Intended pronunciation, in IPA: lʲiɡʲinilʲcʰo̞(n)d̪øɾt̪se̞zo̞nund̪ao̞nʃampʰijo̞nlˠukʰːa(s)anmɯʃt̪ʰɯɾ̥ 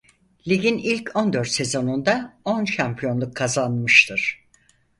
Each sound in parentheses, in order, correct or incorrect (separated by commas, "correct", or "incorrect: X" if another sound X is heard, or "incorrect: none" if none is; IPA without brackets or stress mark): correct, incorrect: z